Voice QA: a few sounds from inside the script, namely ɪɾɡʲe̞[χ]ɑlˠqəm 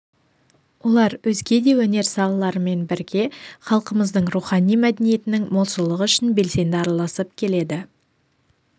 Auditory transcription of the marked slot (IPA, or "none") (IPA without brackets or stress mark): χ